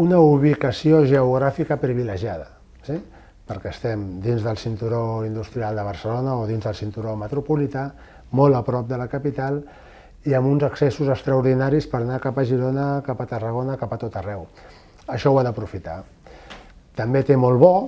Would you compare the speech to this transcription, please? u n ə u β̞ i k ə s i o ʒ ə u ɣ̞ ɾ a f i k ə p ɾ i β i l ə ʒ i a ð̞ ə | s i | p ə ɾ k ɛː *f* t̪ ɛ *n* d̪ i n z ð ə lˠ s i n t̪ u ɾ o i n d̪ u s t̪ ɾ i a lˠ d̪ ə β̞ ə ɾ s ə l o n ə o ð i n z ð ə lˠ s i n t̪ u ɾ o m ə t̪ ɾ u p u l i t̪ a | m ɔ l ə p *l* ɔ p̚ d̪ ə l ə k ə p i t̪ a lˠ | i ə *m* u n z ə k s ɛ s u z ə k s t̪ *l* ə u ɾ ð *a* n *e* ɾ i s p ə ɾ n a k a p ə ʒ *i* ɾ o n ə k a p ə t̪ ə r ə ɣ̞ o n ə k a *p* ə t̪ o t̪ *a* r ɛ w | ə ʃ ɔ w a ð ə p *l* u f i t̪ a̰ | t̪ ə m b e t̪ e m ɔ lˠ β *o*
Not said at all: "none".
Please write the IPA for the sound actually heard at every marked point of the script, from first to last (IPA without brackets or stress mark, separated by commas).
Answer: s, m, ɾ, m, ɾ, i, a, i, p, ə, ɾ, ɔ